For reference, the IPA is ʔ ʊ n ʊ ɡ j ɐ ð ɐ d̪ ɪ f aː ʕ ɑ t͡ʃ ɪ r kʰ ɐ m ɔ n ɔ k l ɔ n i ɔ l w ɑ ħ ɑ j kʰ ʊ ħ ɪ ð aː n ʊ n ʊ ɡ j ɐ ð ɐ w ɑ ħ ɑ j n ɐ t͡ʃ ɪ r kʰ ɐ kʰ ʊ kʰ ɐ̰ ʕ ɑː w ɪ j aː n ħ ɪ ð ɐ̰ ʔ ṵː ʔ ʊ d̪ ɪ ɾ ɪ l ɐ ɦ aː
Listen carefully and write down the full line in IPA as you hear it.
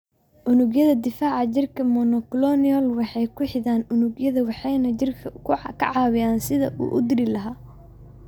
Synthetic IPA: ʔ ʊ n ʊ ɡ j ɐ ð ɐ d̪ ɪ f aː ʕ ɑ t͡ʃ ɪ r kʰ ɐ m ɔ n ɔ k l ɔ n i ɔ l w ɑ ħ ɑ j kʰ ʊ ħ ɪ ð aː n ʊ n ʊ ɡ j ɐ ð ɐ w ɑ ħ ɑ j n ɐ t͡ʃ ɪ r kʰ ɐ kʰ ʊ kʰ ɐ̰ ʕ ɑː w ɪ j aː n s ɪ ð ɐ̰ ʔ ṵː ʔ ʊ d̪ ɪ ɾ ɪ l ɐ ɦ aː